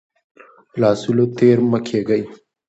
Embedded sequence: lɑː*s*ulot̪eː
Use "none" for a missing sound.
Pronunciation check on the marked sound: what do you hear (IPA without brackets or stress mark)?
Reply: s